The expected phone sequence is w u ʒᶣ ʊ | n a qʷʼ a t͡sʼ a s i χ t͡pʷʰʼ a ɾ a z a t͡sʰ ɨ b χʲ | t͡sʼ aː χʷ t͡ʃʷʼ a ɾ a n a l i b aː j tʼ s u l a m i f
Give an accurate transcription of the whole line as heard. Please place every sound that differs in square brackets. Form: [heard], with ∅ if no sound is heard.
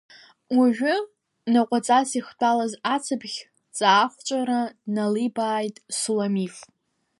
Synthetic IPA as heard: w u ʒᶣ ʊ | n a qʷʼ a t͡sʼ a s i χ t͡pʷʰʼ a [l] a z a t͡sʰ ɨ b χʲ | t͡sʼ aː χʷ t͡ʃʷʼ a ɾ a n a l i b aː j tʼ s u l a m i f

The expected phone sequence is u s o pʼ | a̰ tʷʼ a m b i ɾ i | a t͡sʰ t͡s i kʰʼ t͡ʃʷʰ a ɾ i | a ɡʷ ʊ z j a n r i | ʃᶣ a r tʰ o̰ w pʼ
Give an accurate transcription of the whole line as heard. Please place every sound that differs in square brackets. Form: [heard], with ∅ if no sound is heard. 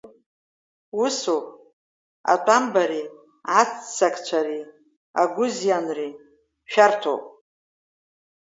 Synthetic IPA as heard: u s o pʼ | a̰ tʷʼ a m b [a] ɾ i | a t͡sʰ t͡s [a] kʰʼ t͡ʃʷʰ a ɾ i | a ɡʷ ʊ z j a n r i | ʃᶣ a r tʰ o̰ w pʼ

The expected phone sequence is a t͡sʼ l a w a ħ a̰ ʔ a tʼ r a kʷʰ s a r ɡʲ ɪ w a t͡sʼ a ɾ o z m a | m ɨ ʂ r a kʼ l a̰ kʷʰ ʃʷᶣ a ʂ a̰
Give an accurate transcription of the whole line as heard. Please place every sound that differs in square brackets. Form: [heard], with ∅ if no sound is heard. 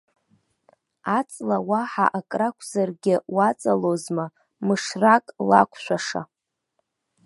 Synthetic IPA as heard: a t͡sʼ l a w a ħ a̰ ʔ a [kʼ] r a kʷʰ [z] a r ɡʲ ɪ w a t͡sʼ a [l] o z m a | m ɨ ʂ r a kʼ l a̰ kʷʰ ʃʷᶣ a ʂ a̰

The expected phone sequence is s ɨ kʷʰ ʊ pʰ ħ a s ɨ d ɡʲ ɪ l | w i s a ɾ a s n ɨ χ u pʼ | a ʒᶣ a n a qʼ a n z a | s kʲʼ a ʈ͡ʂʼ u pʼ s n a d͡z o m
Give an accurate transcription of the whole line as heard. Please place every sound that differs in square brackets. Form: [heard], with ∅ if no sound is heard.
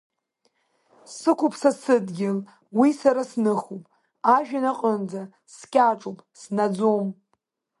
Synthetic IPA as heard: s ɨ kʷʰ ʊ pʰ [s] a s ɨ d ɡʲ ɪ l | w i s a ɾ a s n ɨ χ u pʼ | a ʒᶣ a n a qʼ [ə] n [d͡z] a | s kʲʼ a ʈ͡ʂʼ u pʼ s n a d͡z o m

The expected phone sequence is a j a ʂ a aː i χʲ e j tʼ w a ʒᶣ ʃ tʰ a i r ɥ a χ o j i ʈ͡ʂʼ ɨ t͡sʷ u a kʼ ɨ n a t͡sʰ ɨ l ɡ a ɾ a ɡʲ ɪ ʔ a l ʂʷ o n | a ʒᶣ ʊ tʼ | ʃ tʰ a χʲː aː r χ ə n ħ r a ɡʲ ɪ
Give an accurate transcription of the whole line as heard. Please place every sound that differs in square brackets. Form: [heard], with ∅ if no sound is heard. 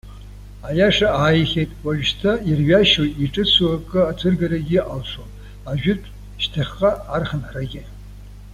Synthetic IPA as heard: a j a ʂ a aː [j] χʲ e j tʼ w a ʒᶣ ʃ tʰ a i r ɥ a [ʃ] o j i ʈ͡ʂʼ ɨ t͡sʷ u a kʼ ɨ [∅] a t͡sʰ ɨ [r] ɡ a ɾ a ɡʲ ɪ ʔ a l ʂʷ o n | a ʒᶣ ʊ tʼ | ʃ tʰ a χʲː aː r χ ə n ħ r a ɡʲ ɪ

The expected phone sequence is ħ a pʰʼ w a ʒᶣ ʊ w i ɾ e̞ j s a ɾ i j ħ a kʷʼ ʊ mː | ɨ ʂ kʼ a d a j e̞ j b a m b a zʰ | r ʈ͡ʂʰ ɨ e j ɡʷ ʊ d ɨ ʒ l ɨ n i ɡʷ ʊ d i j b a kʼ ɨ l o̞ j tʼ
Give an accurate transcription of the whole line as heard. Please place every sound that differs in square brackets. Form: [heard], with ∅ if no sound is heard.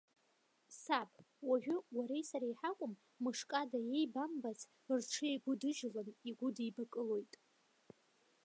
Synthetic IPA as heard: [s] a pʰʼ w a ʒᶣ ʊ w [a] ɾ e̞ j s a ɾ [a] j ħ a kʷʼ ʊ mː | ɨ ʂ kʼ a d a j e̞ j b a m b a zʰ | r ʈ͡ʂʰ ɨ e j ɡʷ ʊ d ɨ ʒ l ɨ n i ɡʷ ʊ d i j b a kʼ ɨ l o̞ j tʼ

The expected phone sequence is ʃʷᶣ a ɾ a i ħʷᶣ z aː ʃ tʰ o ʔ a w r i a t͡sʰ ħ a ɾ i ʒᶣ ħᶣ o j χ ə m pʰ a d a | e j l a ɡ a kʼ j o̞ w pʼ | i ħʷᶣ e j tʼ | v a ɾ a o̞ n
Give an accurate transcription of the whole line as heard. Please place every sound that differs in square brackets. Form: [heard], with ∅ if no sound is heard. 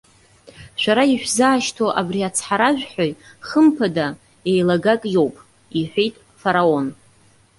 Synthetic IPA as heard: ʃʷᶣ a ɾ a i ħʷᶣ z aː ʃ tʰ o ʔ a [b] r i a t͡sʰ ħ a ɾ [a] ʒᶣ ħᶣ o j χ ə m pʰ a d a | e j l a ɡ a kʼ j o̞ w pʼ | i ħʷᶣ e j tʼ | [f] a ɾ a o̞ n

